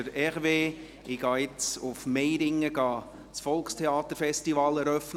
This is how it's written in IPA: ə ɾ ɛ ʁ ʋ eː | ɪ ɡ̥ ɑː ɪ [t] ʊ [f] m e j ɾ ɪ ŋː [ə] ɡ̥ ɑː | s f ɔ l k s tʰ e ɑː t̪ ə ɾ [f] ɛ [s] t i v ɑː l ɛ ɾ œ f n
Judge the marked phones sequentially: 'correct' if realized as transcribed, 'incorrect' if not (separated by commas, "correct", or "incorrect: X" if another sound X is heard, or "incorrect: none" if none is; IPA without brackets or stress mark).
incorrect: t͡s, correct, correct, correct, correct